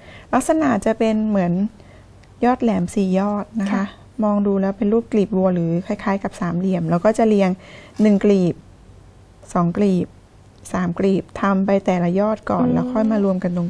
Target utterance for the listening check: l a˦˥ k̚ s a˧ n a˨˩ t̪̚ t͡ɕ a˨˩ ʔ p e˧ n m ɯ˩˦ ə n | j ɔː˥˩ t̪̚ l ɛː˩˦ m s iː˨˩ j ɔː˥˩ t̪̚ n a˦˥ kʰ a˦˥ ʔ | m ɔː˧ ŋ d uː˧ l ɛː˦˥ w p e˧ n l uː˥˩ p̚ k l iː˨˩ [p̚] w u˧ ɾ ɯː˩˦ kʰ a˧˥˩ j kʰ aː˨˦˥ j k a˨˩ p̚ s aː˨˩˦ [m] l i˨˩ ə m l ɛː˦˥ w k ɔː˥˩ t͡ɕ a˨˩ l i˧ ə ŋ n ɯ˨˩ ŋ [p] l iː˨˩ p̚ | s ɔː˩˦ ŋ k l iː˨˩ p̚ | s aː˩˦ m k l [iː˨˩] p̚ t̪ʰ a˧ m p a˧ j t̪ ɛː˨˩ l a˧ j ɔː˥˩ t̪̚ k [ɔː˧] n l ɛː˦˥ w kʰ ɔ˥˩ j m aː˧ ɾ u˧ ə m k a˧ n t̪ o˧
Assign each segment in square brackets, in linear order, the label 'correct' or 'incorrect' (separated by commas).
correct, correct, incorrect, correct, incorrect